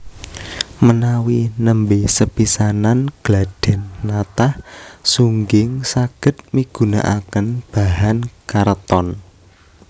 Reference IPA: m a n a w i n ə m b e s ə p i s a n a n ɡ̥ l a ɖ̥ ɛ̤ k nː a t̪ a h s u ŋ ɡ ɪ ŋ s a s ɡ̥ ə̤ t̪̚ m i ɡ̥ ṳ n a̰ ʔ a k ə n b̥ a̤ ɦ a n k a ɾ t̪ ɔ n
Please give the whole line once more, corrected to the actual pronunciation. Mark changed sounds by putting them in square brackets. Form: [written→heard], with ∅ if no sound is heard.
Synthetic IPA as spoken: m [a→ə] n a w i n ə m b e s ə p i s a n a n ɡ̥ l a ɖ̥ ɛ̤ [k→∅] nː a t̪ a h s u ŋ ɡ ɪ ŋ s a [s→∅] ɡ̥ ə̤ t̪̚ m i ɡ̥ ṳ n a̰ ʔ a k ə n b̥ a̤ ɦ a n k a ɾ t̪ ɔ n